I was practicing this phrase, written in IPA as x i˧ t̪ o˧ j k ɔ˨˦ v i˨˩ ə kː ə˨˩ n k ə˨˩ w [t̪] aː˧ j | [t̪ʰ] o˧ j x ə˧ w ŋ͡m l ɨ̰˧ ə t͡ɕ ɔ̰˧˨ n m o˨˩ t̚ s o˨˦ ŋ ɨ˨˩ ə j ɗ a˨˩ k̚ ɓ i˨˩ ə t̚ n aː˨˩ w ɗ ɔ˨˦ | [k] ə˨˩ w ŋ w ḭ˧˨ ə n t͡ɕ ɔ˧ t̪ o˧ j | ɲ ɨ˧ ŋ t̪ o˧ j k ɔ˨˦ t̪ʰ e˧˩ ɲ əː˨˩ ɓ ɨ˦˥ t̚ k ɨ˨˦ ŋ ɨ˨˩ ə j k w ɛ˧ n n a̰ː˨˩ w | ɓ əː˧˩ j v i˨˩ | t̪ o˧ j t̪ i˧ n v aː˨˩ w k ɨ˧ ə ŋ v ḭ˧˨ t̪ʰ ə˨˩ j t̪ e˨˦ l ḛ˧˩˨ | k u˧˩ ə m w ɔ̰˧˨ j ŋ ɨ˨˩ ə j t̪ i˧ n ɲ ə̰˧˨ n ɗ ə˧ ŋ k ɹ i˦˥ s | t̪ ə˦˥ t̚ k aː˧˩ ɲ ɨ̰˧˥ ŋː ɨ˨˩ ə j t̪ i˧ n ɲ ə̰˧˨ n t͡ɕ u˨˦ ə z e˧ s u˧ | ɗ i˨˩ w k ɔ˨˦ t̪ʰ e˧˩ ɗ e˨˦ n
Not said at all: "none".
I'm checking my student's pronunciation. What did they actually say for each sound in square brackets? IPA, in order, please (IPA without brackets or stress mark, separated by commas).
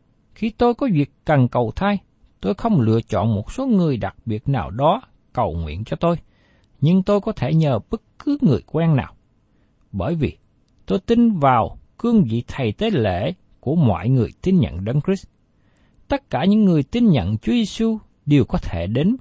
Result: t̪ʰ, t̪, k